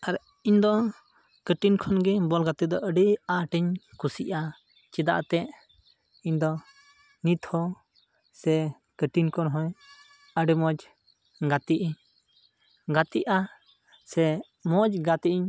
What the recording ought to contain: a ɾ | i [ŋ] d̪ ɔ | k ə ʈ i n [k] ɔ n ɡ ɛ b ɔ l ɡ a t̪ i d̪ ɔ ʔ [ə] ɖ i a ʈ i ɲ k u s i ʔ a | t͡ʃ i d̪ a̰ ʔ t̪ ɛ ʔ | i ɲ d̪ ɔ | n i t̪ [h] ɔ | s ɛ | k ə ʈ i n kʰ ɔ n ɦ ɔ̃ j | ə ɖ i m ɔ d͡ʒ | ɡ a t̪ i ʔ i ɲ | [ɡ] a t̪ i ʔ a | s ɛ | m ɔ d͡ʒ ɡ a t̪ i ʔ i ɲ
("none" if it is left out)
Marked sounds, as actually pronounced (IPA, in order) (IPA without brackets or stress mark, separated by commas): ɲ, kʰ, ə, h, ɡ